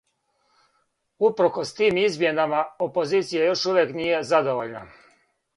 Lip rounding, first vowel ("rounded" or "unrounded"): rounded